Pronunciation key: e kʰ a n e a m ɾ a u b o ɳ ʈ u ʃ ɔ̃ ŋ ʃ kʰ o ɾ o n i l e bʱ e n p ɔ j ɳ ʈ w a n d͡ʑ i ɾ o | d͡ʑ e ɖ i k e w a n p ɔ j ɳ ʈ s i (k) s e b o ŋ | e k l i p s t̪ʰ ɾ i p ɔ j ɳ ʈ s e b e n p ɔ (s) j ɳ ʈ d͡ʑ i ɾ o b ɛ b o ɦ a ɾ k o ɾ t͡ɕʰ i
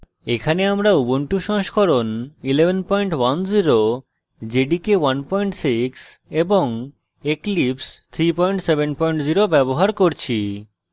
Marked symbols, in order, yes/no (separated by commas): yes, no